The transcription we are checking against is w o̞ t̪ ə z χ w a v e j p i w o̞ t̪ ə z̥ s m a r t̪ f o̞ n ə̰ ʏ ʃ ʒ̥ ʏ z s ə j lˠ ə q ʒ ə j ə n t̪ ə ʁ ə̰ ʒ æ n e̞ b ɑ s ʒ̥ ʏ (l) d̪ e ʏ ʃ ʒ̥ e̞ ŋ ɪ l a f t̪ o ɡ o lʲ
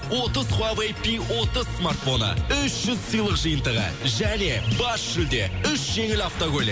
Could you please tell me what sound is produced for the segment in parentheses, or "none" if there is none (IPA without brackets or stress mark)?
l